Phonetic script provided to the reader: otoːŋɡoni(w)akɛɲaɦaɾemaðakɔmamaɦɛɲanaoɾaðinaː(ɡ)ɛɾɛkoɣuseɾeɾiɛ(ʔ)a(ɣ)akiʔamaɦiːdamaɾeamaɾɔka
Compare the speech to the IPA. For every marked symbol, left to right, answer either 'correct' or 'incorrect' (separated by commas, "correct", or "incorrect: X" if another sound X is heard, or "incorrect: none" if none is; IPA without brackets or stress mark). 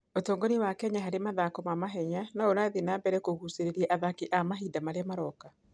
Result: correct, incorrect: b, correct, incorrect: ð